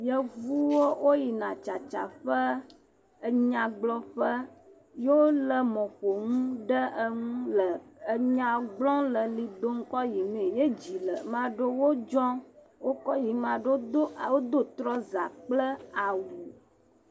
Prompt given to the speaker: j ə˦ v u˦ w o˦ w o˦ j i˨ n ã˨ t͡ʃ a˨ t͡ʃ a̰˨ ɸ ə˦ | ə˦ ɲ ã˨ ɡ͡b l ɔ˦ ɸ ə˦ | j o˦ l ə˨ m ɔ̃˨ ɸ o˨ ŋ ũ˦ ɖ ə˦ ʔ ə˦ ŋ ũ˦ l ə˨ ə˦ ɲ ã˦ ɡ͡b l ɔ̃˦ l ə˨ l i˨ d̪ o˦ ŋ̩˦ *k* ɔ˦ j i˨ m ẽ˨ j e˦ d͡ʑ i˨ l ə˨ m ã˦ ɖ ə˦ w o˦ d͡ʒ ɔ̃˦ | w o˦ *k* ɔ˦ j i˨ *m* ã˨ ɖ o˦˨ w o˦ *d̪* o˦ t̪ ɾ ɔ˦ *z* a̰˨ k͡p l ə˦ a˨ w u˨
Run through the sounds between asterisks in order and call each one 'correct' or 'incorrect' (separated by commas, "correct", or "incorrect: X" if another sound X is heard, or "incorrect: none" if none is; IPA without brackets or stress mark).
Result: correct, correct, correct, correct, correct